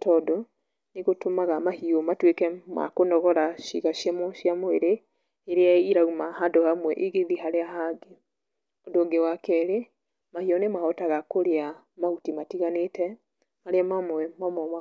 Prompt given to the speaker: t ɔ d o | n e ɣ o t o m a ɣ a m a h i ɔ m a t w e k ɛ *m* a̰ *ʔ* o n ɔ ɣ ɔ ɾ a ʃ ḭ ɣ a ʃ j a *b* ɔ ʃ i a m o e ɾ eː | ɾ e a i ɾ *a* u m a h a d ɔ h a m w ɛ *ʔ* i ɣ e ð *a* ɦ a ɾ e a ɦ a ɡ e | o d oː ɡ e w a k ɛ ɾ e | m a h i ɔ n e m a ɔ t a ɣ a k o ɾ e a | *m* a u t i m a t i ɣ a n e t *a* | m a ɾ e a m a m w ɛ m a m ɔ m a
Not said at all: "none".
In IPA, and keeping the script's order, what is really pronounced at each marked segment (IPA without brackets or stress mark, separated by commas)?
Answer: m, k, m, a, ʔ, i, m, ɛ